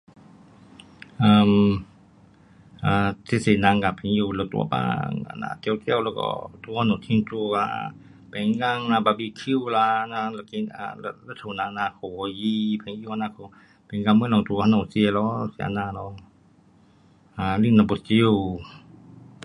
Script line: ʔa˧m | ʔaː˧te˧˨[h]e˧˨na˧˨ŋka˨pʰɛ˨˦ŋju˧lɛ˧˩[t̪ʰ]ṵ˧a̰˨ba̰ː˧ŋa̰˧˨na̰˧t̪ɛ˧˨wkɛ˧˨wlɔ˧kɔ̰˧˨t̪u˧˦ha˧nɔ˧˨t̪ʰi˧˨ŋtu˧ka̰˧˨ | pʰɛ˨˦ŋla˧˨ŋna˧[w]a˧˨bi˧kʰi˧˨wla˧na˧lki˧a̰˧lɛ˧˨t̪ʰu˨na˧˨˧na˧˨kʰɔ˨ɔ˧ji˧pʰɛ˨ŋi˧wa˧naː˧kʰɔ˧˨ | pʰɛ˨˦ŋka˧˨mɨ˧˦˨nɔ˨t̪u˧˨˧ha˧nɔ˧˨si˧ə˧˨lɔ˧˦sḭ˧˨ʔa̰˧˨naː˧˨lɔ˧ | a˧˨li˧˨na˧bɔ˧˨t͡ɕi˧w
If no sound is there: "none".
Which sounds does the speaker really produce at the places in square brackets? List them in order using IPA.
s, t̪, b

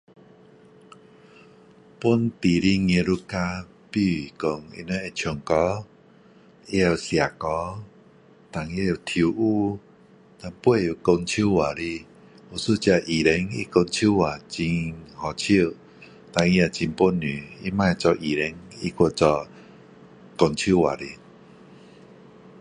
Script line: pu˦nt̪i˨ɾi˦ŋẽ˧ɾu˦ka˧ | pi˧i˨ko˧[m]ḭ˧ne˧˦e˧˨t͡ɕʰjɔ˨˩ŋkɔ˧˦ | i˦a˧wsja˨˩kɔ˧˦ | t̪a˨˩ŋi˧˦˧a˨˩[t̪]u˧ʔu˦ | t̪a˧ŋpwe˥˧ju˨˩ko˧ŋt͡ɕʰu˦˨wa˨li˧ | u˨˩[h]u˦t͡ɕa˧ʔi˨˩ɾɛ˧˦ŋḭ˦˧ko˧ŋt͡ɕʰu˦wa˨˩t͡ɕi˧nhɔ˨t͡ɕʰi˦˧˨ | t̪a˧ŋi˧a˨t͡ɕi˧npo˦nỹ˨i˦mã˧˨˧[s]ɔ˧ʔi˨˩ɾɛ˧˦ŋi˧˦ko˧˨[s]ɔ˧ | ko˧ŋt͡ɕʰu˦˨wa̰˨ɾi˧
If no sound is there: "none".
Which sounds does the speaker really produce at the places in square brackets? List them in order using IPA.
ŋ, t̪ʰ, s, t͡s, t͡s

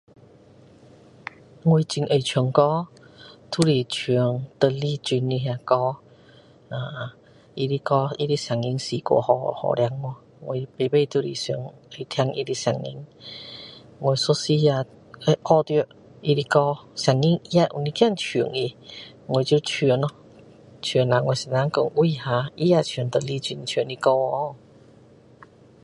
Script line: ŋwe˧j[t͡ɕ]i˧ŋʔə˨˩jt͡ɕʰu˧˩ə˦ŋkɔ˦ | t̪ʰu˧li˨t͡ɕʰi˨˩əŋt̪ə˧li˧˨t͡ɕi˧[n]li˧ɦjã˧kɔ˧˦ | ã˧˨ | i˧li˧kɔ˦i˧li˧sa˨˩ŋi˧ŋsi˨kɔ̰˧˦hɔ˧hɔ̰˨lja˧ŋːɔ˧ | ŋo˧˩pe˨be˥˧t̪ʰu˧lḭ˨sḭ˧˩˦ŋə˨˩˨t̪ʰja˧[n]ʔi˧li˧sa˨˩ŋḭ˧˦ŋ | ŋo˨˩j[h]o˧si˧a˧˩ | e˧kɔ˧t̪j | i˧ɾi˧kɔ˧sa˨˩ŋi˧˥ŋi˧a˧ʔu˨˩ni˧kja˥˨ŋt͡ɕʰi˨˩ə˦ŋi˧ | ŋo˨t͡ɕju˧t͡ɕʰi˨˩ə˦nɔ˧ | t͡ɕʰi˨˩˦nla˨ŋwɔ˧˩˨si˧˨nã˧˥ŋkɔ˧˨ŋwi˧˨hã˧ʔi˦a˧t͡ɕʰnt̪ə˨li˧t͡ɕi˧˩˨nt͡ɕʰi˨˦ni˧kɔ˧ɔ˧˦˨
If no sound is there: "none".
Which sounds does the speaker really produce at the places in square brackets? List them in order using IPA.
t͡ɕ, n, ŋ, s

